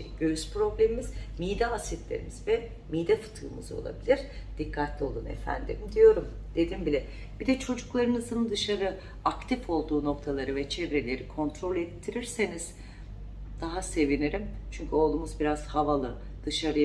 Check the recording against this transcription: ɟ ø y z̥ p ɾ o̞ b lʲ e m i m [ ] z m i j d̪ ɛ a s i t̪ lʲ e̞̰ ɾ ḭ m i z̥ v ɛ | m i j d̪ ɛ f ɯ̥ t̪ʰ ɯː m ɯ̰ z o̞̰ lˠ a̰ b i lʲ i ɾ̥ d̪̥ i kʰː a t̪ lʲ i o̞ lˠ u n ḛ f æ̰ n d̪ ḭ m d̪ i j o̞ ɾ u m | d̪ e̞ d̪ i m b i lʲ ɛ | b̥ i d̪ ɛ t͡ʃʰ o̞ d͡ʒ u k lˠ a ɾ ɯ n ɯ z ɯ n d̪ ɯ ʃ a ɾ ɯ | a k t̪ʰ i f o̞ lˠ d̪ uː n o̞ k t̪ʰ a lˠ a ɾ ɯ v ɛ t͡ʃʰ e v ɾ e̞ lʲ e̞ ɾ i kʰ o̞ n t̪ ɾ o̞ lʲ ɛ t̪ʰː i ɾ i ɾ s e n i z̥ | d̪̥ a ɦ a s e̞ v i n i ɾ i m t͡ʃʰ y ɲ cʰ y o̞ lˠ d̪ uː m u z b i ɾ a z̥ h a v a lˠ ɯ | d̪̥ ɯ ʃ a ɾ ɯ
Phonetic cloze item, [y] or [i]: i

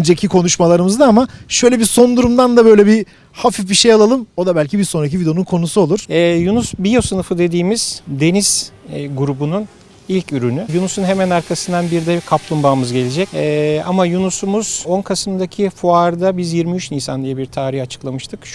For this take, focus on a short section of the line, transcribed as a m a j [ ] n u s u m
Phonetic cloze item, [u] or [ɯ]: u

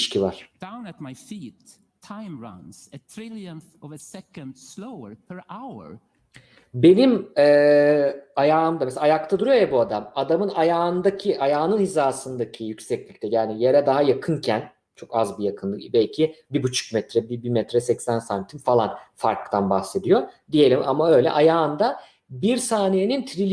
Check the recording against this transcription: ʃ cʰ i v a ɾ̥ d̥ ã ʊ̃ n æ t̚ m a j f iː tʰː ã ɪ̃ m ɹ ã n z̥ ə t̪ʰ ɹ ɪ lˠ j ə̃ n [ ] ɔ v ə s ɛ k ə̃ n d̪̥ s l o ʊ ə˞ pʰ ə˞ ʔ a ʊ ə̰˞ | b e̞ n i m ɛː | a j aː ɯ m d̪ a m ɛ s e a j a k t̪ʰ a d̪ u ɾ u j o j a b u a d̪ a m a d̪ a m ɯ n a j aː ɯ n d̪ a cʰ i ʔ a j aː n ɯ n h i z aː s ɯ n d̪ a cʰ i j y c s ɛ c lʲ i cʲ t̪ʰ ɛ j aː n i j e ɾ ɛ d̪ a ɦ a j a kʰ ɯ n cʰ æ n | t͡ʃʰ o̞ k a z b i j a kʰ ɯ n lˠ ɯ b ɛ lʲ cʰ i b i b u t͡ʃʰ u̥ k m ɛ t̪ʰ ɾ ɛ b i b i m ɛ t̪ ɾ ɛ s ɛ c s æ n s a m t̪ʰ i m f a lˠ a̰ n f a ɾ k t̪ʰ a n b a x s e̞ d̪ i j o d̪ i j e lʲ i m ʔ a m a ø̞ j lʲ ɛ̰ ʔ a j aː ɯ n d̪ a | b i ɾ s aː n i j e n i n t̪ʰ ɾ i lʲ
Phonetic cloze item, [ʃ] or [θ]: θ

